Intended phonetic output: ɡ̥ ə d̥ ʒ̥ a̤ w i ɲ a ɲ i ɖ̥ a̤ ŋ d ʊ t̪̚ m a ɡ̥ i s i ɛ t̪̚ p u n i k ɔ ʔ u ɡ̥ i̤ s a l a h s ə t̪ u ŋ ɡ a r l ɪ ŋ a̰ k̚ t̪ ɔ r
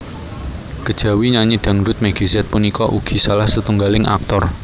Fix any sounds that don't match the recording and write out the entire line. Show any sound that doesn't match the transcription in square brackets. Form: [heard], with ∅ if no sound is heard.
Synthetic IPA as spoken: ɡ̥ ə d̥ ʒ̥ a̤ w i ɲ a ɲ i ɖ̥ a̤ ŋ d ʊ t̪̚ m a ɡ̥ i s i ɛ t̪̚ p u n i k ɔ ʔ u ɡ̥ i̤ s a l a h s ə t̪ u ŋ ɡ a [∅] l ɪ ŋ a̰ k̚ t̪ ɔ r